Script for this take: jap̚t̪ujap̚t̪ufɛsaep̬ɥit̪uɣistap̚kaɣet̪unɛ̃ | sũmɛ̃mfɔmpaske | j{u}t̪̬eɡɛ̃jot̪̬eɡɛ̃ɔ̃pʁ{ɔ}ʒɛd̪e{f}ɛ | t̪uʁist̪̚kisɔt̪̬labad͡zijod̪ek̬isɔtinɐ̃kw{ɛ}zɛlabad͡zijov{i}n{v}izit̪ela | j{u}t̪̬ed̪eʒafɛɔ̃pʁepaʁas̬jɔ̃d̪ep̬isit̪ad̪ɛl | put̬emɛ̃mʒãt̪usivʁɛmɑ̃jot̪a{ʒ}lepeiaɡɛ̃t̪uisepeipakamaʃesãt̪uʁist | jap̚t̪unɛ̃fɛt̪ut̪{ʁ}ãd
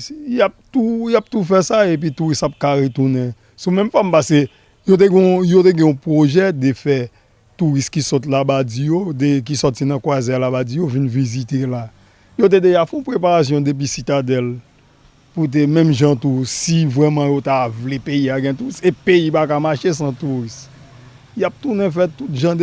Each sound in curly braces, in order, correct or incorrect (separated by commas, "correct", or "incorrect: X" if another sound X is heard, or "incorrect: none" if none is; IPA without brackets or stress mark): incorrect: o, incorrect: o, correct, incorrect: a, correct, correct, incorrect: o, incorrect: v, incorrect: ʒ